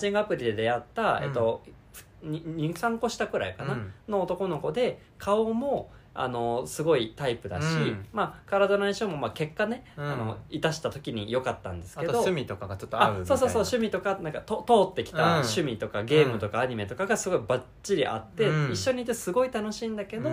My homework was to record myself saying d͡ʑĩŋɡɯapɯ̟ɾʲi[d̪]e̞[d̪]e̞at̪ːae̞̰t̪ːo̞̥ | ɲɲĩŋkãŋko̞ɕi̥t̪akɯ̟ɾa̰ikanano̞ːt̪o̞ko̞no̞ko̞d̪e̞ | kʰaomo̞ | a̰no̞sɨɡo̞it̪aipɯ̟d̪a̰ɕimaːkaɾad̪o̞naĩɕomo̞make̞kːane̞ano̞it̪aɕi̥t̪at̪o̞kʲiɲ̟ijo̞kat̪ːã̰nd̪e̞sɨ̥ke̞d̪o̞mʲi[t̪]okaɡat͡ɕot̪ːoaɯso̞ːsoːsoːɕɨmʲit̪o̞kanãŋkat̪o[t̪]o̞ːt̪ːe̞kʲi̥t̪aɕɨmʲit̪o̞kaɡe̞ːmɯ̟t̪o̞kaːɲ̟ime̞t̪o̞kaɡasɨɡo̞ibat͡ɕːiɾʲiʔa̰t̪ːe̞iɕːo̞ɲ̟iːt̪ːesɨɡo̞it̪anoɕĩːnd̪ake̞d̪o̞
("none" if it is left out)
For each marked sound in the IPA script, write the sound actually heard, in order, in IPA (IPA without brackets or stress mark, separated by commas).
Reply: d̪, d̪, t̪, t̪